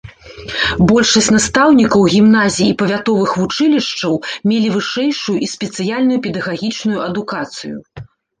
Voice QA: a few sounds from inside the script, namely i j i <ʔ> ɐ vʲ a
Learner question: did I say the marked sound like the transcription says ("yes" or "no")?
no